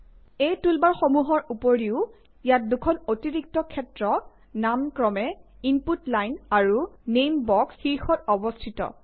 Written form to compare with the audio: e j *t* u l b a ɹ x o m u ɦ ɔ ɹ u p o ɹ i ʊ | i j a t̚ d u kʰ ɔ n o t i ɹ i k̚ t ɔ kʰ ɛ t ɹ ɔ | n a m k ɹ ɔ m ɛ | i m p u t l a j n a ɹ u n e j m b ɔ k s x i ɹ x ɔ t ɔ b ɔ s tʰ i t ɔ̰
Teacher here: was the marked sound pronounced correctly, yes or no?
yes